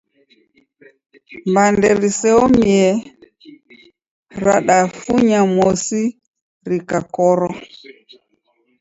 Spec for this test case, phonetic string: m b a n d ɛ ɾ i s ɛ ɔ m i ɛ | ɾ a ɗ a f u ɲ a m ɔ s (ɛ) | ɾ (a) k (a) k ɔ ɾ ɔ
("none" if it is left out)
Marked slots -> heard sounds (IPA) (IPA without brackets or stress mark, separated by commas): i, i, a